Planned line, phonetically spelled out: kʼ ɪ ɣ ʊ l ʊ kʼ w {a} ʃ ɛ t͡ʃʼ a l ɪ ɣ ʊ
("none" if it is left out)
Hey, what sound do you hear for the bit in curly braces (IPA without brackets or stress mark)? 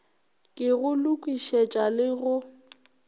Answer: i